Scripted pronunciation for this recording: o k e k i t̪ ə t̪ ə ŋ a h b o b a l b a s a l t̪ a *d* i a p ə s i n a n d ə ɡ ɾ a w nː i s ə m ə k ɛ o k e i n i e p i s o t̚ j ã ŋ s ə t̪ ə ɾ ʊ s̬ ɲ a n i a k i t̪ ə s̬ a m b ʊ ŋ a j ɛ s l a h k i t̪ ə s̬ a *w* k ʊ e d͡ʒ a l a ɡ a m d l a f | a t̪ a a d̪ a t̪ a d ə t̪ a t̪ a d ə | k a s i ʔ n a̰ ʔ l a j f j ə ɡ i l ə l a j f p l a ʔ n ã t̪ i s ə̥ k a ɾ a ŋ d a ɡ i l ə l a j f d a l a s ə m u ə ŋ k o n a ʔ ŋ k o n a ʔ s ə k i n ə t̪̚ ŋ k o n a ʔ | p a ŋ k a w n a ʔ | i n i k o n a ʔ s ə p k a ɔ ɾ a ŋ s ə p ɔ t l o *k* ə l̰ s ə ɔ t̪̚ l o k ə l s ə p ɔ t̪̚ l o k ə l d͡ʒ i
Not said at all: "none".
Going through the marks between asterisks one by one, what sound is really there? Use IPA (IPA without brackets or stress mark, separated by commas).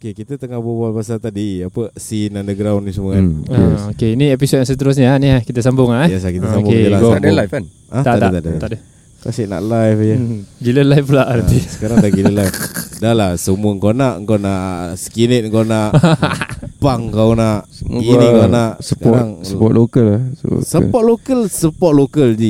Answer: d, b, k